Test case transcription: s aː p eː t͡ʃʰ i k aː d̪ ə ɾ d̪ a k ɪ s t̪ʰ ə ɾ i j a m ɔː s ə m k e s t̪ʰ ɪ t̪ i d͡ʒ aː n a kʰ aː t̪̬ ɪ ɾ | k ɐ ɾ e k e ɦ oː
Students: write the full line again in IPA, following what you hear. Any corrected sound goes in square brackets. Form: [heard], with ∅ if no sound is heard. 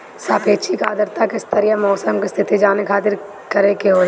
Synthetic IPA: s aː p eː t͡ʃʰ i k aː d̪ ə ɾ [t̪] a k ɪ s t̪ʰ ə ɾ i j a m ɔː s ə m k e s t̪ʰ ɪ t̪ i d͡ʒ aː n [e] kʰ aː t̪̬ ɪ ɾ | k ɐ ɾ e k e ɦ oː